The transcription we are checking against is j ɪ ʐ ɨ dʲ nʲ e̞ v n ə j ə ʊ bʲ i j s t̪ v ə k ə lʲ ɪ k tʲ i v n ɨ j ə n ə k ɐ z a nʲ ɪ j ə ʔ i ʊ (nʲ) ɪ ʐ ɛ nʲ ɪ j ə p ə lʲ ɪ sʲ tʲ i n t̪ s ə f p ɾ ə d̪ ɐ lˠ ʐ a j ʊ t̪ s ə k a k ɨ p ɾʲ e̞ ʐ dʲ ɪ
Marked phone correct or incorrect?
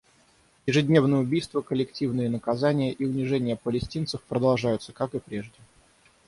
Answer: correct